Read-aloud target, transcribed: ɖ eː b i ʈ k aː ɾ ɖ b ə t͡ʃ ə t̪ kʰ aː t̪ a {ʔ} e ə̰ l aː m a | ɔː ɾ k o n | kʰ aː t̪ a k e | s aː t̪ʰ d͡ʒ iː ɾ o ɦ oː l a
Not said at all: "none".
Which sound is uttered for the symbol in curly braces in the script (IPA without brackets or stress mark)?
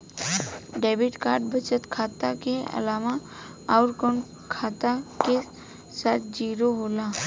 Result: k